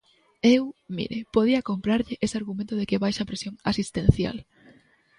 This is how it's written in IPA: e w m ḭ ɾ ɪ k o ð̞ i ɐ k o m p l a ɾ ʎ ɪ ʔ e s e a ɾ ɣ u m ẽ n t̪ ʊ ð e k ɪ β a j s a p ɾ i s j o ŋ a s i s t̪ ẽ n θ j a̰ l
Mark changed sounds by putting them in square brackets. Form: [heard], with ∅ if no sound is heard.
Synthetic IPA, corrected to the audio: e w m ḭ ɾ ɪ [p] o ð̞ i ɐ k o m p [ɾ] a ɾ ʎ ɪ ʔ e s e a ɾ ɣ u m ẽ n t̪ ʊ ð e k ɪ β a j [ʃ] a p ɾ [e] s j o ŋ a s i s t̪ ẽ n θ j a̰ l